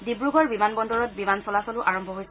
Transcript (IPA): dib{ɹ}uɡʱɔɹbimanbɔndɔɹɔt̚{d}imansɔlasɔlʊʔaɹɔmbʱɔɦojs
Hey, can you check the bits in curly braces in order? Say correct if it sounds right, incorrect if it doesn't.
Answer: correct, incorrect: b

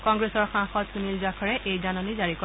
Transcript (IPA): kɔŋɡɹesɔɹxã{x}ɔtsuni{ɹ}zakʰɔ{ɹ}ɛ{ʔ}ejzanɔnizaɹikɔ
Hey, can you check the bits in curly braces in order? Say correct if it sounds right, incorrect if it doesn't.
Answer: correct, incorrect: l, correct, correct

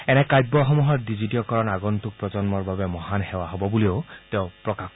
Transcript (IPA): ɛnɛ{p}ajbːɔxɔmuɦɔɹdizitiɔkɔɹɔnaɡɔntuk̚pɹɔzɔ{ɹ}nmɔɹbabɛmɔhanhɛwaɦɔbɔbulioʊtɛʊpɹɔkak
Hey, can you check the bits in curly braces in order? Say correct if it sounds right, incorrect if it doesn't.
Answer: incorrect: k, incorrect: none

